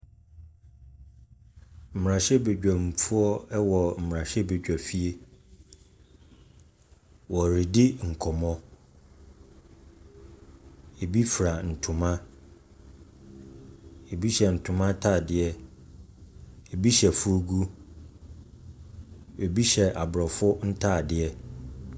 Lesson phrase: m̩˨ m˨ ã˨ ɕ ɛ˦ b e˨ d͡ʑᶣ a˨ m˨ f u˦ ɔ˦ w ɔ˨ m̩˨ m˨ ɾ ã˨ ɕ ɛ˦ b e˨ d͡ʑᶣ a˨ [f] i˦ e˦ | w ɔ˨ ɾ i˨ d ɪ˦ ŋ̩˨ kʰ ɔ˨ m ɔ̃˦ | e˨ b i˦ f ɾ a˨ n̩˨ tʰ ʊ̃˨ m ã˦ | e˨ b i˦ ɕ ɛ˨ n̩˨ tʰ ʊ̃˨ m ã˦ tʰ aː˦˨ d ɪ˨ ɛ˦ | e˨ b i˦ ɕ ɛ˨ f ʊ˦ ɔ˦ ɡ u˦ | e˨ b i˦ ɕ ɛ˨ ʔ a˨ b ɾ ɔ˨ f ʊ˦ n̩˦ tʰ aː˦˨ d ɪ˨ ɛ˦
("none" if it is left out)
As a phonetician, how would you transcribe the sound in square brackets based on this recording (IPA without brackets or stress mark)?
f